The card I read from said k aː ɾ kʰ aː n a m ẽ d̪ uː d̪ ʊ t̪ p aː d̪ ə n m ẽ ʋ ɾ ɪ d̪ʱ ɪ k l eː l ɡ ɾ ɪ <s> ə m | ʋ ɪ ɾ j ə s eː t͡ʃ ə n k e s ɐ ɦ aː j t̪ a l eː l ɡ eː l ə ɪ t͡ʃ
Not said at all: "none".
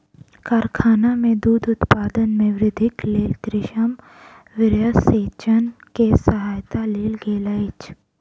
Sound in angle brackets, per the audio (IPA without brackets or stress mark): ʃ